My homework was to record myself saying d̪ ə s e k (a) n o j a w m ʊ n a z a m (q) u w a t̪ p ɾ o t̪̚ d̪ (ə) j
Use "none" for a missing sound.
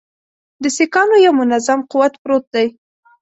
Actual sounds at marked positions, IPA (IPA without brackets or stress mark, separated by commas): ɑ, q, a